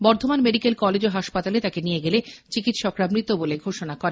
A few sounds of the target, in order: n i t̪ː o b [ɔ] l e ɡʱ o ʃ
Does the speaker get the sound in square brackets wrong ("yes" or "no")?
yes